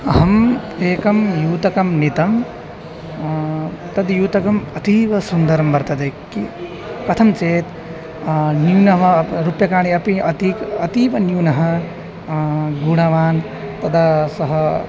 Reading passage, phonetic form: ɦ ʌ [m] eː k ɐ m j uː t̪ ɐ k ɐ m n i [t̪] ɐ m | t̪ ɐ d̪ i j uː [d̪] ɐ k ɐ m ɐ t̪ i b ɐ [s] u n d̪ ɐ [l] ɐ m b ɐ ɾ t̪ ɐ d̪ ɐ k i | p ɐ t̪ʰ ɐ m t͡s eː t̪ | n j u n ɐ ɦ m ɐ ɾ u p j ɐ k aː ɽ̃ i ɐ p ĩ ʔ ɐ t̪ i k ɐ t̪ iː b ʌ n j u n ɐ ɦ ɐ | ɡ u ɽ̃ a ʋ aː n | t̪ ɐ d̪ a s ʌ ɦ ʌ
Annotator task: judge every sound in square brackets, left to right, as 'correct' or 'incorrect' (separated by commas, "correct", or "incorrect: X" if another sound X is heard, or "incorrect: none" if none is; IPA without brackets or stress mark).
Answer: correct, correct, incorrect: t̪, correct, incorrect: ɾ